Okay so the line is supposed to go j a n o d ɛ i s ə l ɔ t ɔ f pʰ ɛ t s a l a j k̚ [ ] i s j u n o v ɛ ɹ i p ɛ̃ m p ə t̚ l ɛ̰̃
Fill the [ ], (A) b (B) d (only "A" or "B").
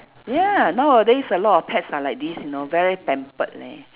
B